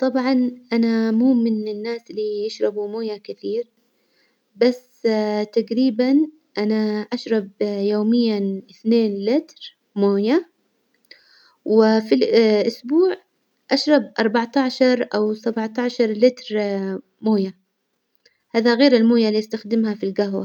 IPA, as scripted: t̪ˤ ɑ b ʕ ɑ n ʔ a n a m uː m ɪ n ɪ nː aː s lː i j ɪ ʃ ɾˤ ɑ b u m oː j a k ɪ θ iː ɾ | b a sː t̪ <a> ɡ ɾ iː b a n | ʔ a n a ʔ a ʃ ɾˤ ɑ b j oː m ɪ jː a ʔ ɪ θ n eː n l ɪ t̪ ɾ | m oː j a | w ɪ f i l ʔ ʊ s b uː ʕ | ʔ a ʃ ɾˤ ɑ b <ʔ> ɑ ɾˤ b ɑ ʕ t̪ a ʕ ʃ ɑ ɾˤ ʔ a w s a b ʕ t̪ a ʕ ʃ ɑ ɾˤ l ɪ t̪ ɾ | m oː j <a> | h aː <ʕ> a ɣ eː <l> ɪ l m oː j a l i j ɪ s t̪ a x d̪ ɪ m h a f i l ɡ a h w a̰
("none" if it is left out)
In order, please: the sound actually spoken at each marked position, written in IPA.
a, ʔ, a, ð, ɾ

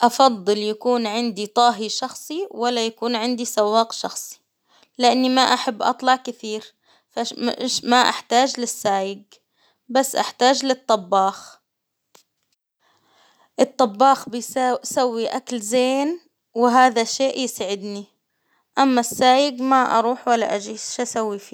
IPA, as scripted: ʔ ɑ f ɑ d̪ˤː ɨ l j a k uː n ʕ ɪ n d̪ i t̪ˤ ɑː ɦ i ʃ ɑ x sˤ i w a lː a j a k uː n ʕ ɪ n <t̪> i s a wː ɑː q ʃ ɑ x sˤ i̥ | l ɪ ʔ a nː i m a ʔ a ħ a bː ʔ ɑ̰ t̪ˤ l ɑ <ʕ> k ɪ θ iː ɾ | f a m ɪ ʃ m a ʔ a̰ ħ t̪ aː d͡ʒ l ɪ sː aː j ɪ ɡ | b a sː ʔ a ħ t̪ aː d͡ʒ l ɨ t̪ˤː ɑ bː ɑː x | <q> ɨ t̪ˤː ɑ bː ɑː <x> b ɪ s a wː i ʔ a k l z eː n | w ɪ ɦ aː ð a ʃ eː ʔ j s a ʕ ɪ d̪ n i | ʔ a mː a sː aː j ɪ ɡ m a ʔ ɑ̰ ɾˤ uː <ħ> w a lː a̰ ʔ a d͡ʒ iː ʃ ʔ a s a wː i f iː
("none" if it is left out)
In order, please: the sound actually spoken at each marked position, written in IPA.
d̪, ʕ, ʔ, x, ħ

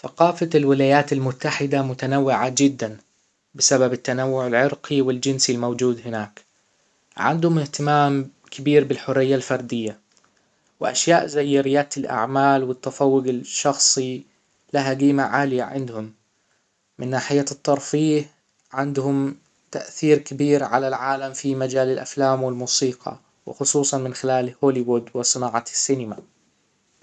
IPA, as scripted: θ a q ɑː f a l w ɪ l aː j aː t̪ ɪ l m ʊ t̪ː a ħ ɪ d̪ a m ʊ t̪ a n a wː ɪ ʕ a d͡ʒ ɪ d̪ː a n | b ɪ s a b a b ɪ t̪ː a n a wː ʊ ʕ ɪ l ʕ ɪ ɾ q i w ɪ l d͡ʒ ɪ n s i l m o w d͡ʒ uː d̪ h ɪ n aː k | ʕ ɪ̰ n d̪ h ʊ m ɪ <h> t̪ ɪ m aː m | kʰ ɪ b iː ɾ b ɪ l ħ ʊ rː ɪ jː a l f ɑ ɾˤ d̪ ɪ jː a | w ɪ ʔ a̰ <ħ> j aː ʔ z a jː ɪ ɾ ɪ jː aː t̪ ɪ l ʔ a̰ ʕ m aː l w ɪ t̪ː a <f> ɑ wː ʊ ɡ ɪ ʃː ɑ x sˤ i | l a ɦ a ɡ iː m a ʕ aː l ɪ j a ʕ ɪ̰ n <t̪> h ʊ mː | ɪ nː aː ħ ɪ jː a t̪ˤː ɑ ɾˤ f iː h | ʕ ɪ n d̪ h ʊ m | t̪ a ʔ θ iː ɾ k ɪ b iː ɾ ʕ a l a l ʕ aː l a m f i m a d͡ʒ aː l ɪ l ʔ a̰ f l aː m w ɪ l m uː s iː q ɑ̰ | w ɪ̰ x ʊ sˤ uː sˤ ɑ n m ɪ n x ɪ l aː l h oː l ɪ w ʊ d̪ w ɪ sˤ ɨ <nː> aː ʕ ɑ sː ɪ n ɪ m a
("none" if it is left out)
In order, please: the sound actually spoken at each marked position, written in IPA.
h, ʃ, f, d̪, n

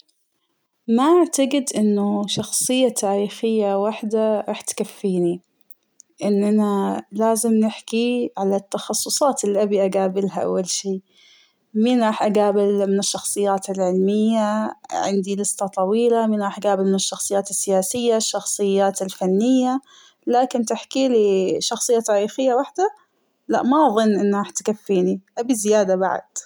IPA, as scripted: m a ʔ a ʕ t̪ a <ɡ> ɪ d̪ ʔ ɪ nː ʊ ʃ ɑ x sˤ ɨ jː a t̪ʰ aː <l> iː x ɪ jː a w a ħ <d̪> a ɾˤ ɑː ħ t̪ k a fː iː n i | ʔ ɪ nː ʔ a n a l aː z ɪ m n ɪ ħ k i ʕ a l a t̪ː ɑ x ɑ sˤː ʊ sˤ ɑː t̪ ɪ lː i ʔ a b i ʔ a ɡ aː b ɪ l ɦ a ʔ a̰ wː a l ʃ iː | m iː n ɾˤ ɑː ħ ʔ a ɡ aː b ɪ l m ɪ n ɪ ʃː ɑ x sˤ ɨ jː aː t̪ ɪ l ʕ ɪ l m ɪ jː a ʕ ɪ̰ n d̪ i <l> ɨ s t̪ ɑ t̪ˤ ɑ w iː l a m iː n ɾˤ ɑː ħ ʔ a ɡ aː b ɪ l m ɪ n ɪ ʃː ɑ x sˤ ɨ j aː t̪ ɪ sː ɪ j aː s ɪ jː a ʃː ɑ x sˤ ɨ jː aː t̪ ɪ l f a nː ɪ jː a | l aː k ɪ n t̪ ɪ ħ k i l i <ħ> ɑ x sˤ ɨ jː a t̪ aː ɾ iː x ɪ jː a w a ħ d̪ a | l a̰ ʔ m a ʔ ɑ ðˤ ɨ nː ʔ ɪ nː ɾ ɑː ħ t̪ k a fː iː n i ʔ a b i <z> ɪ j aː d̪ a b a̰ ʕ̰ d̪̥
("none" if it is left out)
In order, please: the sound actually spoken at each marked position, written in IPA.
ɡ, ɾ, d̪, l, ʃ, z

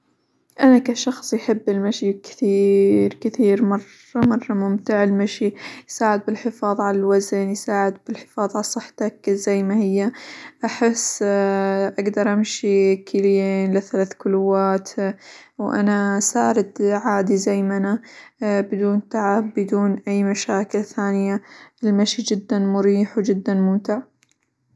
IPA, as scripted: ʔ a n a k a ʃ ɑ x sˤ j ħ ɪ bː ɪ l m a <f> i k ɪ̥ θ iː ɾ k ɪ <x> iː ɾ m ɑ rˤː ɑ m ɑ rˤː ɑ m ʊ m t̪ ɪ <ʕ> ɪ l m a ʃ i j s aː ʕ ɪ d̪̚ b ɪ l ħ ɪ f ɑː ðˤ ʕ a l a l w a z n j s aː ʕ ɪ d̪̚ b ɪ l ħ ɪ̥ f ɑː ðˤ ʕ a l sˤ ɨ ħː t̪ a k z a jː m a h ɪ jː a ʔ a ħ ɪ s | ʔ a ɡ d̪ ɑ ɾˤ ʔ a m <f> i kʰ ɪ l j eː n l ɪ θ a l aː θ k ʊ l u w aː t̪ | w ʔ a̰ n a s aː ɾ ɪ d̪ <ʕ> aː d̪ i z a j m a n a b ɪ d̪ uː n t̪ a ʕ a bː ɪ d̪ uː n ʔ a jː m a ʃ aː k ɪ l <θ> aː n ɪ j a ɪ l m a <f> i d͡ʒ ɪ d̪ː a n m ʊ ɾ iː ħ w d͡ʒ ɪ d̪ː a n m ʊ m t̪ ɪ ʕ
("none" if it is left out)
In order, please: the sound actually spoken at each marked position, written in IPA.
ʃ, θ, ʕ, ʃ, ʕ, θ, ʃ

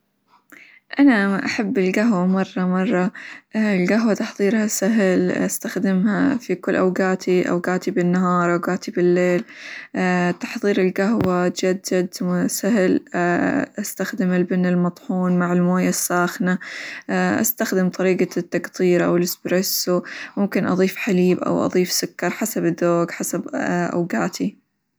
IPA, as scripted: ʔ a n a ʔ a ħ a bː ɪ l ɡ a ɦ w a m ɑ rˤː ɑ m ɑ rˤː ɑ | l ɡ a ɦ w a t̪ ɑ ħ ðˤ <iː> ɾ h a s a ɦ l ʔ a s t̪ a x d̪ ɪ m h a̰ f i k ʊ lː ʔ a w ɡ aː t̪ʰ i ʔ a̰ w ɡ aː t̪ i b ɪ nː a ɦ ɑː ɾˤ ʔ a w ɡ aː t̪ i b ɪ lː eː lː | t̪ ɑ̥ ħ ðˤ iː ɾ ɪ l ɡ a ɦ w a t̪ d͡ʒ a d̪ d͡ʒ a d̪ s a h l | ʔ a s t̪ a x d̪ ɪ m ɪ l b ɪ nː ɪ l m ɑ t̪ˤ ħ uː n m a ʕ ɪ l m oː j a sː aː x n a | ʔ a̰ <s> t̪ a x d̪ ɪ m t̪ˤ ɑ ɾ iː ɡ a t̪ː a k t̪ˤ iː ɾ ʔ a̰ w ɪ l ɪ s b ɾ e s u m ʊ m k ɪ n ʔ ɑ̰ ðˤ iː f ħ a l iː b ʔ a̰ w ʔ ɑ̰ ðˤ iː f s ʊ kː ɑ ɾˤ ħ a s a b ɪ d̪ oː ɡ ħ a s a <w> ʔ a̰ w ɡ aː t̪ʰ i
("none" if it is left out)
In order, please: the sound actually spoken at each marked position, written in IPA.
iː, s, b

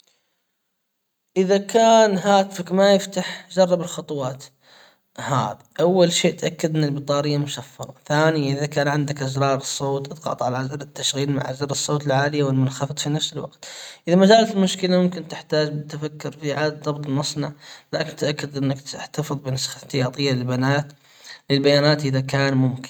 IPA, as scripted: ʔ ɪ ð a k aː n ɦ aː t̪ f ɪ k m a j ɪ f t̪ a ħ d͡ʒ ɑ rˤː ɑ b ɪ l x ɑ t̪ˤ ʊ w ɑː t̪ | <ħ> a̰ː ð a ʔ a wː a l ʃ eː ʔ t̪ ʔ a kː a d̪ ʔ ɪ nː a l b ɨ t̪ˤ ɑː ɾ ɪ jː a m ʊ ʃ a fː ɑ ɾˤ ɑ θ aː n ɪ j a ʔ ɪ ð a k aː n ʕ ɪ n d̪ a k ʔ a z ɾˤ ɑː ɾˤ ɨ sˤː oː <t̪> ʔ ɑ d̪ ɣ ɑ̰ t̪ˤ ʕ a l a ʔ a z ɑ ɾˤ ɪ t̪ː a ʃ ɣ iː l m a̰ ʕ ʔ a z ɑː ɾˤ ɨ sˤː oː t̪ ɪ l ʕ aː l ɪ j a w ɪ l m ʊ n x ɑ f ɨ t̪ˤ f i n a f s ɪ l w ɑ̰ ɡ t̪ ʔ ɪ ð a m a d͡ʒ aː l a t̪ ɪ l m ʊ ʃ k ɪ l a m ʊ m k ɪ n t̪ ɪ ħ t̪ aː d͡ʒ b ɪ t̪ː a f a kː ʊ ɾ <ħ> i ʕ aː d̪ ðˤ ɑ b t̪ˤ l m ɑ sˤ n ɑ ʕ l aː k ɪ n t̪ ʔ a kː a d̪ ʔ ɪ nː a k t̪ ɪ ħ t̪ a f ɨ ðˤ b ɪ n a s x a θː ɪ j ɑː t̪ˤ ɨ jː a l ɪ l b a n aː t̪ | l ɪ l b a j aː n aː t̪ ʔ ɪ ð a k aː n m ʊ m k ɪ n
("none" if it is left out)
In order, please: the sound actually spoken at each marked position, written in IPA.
h, t̪, f

